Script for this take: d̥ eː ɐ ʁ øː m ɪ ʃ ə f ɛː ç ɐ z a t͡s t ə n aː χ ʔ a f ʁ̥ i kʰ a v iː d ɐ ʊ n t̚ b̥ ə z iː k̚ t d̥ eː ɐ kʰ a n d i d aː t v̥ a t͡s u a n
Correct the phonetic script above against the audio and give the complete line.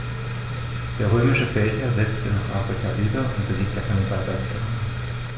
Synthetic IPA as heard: d̥ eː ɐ ʁ øː m ɪ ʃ ə f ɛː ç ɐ z ɛ t͡s t ə n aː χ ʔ a f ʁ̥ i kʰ a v iː d ɐ ʊ n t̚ b̥ ə z iː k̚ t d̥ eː ɐ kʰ a n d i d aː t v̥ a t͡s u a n